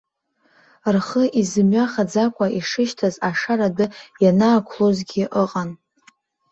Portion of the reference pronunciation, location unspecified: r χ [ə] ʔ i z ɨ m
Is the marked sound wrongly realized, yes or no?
no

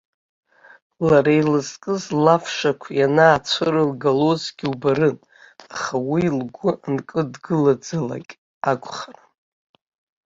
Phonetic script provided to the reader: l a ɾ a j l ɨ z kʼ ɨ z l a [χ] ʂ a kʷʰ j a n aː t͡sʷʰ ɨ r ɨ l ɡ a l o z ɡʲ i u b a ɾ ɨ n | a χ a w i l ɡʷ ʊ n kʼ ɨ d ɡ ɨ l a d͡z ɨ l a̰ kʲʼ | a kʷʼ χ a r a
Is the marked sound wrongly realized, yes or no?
yes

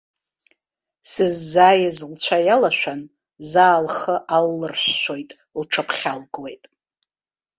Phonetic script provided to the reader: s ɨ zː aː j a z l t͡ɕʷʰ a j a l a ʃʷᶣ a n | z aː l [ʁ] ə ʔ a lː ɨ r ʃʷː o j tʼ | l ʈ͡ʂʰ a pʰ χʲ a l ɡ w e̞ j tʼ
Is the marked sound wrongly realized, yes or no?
yes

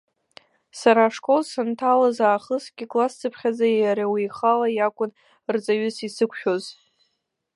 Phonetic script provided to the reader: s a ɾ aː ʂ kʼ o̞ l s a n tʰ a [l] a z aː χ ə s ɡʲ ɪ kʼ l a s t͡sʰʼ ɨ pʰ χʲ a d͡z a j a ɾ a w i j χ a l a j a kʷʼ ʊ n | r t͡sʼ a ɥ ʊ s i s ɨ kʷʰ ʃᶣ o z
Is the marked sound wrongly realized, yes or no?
no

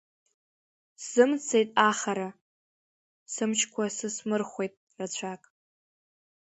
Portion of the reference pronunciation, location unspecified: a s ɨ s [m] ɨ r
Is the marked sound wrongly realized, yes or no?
no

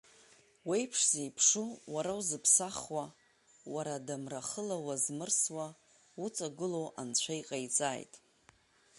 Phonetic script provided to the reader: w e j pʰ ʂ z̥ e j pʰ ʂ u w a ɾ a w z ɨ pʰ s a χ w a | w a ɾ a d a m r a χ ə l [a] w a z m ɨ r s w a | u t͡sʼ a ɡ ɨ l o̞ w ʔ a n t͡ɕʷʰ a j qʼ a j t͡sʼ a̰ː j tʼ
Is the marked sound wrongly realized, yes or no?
no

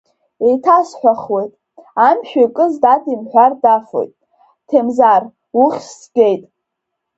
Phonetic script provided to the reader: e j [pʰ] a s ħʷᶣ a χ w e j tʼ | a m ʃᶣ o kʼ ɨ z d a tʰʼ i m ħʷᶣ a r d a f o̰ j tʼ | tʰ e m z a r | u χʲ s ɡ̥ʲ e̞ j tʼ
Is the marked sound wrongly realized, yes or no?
yes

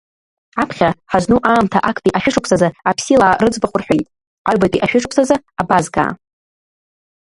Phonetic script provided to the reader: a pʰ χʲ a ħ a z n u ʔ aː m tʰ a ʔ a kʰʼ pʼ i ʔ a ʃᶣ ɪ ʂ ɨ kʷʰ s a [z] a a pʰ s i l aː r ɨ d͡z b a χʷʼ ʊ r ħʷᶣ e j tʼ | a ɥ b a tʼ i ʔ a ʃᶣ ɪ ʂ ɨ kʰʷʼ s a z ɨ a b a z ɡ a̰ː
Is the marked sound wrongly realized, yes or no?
no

